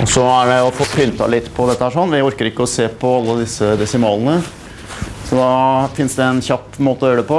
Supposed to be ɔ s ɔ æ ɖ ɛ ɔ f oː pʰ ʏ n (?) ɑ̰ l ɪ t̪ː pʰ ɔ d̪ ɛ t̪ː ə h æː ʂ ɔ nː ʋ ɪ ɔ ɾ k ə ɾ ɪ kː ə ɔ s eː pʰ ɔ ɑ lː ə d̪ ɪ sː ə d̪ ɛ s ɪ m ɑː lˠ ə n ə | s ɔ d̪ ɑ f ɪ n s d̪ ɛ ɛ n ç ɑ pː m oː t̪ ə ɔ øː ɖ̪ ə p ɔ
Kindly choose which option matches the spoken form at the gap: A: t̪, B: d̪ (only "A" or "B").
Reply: A